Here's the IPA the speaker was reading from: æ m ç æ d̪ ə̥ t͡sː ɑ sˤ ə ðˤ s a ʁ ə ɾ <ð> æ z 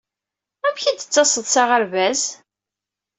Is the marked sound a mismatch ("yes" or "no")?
yes